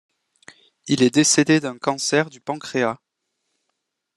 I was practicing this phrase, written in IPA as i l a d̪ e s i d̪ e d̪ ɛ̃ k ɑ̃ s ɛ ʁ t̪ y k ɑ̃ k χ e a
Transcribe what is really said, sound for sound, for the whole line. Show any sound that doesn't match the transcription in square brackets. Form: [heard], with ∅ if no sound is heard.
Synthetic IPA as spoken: i l [ɛ] d̪ e s [e] d̪ e d̪ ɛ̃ k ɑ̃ s ɛ ʁ [d̪] y [p] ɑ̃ k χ e a